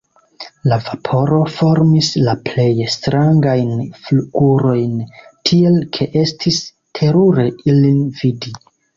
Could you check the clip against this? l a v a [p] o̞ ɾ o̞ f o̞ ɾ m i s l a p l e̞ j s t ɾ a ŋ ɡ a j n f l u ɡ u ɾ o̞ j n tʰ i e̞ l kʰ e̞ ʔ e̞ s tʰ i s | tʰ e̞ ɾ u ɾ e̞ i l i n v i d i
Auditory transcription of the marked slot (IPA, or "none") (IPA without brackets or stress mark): pʰ